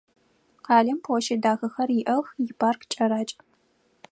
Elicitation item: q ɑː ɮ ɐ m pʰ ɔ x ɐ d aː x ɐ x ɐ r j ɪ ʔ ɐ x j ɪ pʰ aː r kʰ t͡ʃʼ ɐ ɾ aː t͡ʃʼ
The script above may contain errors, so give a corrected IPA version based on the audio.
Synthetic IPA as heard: q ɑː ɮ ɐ m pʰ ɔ ʃ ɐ d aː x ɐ x ɐ r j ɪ ʔ ɐ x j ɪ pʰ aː r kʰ t͡ʃʼ ɐ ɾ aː t͡ʃʼ